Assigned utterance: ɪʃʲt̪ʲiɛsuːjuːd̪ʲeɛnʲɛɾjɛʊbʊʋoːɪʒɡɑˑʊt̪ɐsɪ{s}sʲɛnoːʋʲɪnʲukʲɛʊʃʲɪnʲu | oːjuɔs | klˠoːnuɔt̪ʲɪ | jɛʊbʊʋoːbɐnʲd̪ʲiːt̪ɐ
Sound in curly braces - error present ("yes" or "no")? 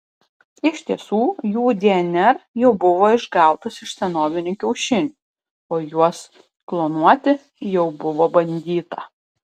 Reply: yes